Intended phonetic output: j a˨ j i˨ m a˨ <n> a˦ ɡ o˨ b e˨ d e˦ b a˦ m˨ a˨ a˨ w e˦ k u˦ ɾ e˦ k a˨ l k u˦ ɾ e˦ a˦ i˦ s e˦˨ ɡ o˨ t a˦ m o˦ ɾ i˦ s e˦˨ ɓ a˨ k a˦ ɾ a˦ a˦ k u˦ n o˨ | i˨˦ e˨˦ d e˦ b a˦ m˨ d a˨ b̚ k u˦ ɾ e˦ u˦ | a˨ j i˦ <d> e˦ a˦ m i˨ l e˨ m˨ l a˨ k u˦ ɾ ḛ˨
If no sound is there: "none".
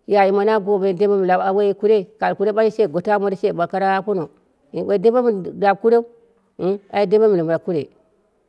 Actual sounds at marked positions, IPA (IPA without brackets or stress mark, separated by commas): n, d